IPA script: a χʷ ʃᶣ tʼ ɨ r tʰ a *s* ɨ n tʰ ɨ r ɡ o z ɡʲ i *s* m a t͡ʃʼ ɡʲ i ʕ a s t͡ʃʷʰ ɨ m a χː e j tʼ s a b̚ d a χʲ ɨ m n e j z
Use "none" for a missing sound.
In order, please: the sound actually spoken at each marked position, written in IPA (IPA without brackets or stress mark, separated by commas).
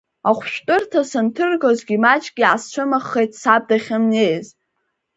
s, none